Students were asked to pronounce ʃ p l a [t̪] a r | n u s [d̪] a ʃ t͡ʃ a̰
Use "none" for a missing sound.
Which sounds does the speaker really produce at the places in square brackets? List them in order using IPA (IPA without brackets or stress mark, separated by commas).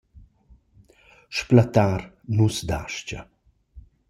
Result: t̪, d̪